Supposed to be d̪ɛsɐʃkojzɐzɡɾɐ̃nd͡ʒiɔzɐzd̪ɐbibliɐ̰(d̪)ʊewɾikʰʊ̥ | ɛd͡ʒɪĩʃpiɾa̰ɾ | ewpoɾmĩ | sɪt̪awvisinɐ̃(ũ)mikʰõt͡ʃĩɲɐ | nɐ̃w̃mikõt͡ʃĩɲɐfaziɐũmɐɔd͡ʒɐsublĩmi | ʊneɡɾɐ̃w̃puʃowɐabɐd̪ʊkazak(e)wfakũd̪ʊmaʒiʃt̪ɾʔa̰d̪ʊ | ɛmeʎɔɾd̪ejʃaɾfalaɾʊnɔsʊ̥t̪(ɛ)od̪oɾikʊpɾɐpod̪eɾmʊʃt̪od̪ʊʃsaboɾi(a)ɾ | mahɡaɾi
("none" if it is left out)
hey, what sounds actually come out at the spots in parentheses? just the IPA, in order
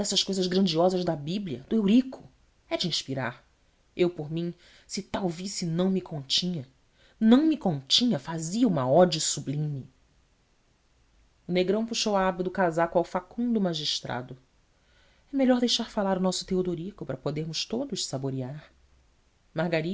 d̪, w̃, a, e, a

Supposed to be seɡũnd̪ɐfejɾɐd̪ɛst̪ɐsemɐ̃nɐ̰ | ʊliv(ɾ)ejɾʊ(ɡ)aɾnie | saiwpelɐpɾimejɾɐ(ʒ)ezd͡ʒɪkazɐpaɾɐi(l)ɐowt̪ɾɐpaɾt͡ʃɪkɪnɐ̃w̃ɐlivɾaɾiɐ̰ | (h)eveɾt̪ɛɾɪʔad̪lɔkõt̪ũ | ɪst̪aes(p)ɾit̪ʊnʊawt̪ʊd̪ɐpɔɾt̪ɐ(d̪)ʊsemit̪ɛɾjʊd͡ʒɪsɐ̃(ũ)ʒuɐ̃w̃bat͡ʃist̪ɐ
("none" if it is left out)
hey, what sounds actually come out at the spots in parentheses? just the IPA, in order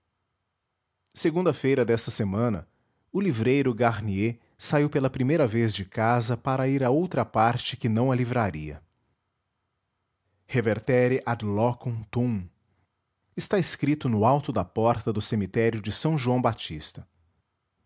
ɾ, ɡ, v, ɾ, h, k, d̪, w̃

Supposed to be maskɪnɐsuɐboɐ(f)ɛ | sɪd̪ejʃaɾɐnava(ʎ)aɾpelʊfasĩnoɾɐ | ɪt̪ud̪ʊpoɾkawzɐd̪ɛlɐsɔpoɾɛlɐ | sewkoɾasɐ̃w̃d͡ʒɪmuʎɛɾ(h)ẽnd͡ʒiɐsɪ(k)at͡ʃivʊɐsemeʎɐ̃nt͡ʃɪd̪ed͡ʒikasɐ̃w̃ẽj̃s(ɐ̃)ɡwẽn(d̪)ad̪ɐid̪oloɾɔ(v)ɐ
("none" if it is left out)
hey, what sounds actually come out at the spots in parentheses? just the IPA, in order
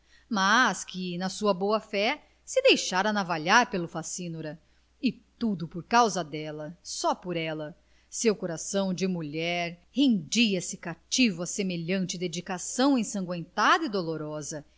f, ʎ, h, k, ɐ̃, t̪, z

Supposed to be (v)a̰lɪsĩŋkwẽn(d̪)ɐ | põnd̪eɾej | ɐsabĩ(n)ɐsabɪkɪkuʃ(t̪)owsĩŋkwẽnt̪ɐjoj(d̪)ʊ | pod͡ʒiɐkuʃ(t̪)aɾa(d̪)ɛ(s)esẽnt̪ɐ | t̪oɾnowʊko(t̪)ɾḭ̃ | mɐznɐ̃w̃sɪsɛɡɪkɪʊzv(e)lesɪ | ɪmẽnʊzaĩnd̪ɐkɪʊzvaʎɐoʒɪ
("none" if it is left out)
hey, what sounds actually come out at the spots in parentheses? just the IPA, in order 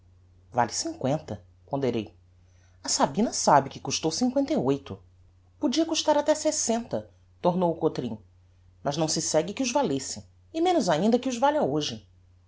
v, t̪, n, t̪, t̪, t̪, t̪, s, t̪, a

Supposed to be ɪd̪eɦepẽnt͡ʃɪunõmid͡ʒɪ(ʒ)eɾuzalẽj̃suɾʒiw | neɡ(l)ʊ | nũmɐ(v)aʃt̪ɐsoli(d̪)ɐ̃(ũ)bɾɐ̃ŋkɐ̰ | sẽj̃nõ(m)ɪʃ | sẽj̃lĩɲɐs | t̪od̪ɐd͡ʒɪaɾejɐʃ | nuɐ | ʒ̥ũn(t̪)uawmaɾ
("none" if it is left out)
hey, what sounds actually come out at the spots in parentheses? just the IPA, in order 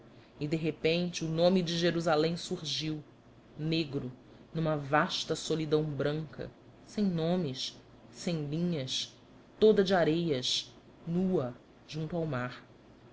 ʒ, ɾ, v, d̪, w̃, m, t̪

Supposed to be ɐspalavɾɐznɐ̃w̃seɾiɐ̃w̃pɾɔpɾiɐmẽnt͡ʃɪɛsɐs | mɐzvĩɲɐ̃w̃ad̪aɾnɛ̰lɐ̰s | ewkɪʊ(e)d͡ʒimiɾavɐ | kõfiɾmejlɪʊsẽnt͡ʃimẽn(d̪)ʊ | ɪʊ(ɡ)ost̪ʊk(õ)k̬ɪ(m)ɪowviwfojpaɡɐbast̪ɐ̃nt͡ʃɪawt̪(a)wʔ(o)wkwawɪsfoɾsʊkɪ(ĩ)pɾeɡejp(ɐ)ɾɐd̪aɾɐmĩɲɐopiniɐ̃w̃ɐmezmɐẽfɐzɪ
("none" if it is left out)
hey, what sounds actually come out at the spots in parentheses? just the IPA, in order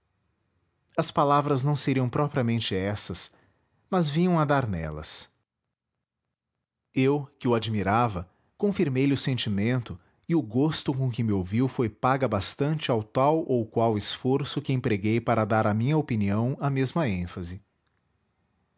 a, t̪, ɡ, õ, m, a, o, ẽ, a

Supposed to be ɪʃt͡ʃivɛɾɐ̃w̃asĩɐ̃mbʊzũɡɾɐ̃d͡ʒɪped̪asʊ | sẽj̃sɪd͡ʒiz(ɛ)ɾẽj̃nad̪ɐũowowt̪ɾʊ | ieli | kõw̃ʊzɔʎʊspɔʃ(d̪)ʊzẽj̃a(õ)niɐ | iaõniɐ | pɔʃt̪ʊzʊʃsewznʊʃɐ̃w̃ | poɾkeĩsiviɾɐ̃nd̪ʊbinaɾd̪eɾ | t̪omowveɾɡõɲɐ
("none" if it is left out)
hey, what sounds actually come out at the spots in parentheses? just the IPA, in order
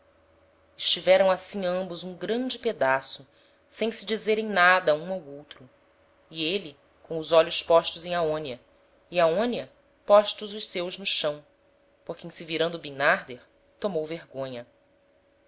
e, t̪, õ

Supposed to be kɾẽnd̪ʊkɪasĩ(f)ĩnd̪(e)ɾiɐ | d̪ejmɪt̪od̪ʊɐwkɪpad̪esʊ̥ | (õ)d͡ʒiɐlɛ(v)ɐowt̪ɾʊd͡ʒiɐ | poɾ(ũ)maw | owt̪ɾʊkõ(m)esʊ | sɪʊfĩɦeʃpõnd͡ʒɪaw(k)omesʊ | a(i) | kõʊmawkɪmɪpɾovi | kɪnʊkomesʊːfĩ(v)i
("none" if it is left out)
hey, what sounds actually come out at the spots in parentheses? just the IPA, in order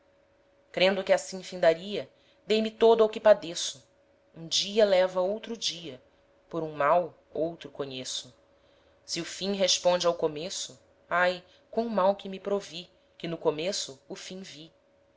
f, a, ũ, v, ũ, ɲ, k, j, v

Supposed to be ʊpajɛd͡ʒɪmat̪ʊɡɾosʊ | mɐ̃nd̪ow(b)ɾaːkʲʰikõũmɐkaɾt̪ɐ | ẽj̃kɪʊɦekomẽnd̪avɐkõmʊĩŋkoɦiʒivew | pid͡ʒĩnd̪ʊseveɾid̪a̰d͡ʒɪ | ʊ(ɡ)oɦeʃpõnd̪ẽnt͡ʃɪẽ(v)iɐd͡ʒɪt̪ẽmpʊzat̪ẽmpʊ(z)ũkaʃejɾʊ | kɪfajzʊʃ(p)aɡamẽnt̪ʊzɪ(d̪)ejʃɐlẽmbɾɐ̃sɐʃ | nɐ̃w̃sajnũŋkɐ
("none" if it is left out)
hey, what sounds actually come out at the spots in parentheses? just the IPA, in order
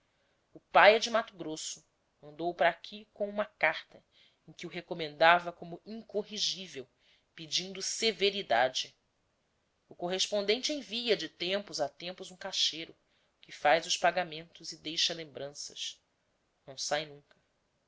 p, k, v, z, p, d̪

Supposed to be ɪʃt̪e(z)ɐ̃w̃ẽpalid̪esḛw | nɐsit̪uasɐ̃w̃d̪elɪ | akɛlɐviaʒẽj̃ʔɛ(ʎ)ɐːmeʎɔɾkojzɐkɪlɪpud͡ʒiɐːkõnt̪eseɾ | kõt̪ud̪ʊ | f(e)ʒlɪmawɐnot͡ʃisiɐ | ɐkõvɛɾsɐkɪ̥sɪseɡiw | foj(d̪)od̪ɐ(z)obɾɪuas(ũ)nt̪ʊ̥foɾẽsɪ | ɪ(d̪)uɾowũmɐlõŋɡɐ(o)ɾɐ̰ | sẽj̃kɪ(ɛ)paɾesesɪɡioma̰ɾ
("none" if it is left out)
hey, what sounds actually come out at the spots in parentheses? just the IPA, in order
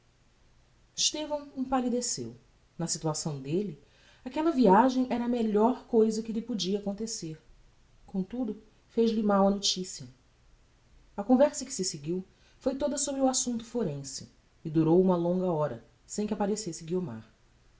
v, ɾ, e, t̪, s, ũ, d̪, ɔ, a

